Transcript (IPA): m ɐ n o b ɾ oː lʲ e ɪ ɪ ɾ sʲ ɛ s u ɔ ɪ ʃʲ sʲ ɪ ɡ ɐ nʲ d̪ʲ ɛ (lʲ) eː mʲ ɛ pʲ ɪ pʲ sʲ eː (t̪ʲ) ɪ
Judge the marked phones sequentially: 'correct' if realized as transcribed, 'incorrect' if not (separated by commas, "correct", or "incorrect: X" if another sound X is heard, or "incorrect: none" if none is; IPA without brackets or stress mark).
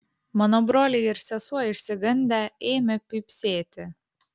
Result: incorrect: none, correct